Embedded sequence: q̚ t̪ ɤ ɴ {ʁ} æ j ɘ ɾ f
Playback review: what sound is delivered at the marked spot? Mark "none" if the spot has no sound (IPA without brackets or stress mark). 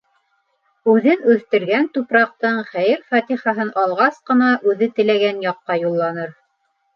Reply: χ